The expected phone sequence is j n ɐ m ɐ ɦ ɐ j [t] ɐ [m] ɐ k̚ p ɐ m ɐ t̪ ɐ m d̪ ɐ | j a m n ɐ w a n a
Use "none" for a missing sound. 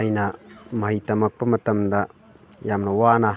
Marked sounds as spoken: t, m

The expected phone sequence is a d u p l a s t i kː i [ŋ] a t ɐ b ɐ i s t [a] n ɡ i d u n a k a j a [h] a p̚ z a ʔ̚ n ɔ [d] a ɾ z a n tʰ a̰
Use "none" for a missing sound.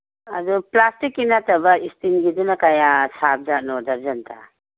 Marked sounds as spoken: n, i, s, d

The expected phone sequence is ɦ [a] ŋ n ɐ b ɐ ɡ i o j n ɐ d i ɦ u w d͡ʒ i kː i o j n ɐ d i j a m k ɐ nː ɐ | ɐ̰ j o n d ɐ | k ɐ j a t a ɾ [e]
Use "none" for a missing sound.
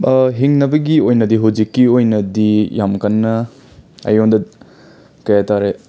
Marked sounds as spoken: i, e

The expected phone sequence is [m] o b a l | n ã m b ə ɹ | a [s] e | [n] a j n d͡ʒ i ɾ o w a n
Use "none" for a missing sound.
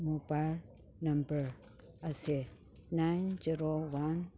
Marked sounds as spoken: m, s, n

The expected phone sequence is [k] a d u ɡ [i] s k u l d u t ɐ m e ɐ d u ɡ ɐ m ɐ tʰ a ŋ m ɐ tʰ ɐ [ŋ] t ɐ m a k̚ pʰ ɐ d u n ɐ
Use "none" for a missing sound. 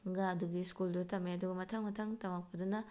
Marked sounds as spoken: ɡ, i, ŋ

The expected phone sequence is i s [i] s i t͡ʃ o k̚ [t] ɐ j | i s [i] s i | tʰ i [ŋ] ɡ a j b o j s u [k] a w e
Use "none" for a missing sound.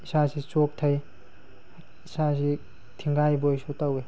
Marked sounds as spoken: a, tʰ, a, ŋ, t

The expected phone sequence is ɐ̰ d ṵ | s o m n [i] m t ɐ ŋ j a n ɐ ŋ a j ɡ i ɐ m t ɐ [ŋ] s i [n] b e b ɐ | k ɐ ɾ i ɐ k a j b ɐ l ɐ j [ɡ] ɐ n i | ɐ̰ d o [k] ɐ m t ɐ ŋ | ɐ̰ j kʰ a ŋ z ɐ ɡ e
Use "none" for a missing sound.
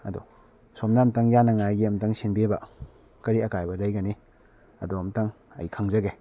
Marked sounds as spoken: a, ŋ, n, ɡ, none

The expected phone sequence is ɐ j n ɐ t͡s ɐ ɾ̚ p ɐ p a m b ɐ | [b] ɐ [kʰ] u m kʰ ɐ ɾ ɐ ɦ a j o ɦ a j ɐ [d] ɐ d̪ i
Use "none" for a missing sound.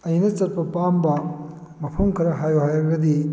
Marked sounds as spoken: m, pʰ, ɡ

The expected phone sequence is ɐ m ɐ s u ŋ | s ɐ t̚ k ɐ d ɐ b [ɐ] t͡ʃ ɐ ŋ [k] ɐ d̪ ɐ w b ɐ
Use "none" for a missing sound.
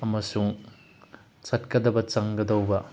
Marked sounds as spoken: ɐ, ɡ

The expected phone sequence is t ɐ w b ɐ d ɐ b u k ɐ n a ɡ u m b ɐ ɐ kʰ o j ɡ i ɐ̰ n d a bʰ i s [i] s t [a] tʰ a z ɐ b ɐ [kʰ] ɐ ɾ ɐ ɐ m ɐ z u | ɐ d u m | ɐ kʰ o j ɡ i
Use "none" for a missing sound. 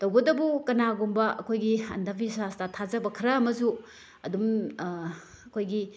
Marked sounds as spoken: a, a, kʰ

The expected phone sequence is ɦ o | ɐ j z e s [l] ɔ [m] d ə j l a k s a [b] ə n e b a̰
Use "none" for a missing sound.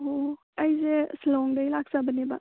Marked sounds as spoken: l, ŋ, b

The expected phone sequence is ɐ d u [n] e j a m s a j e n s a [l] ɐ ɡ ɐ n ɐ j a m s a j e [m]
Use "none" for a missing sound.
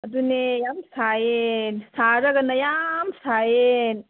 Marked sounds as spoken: n, ɾ, n

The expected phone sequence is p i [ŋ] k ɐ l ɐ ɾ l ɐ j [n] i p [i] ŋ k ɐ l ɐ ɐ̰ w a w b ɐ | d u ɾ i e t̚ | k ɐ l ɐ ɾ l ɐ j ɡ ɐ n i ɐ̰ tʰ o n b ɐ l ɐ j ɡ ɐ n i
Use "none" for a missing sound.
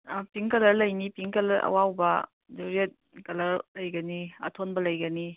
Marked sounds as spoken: ŋ, n, i

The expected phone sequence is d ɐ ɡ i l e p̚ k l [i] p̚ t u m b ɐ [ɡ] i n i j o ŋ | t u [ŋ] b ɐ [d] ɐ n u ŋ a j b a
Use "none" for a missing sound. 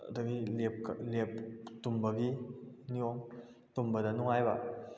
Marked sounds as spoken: e, ɡ, m, d

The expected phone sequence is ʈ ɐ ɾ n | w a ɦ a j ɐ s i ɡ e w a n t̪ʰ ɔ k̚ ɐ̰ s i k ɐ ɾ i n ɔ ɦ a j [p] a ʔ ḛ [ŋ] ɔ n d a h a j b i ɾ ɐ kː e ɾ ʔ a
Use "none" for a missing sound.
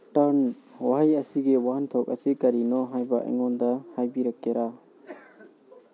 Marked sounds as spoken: b, ŋ

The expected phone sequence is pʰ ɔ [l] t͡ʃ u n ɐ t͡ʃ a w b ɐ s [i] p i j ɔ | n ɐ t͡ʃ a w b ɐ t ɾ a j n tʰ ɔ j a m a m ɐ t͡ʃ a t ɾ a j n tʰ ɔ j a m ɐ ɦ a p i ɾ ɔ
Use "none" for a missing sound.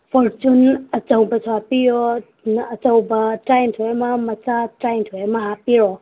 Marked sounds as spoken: ɾ, a

